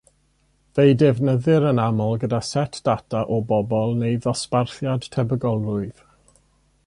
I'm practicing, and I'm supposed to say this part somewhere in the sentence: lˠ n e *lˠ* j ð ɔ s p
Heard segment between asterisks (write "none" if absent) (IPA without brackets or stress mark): none